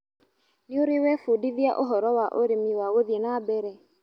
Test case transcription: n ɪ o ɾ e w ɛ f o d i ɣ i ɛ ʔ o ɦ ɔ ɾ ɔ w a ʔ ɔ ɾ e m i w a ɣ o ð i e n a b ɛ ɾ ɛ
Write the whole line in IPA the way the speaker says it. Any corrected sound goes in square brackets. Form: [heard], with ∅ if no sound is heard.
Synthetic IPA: n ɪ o ɾ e w ɛ f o d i [ð] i [a] ʔ o ɦ ɔ ɾ ɔ w a ʔ [o] ɾ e m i w a ɣ o ð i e n a b ɛ ɾ ɛ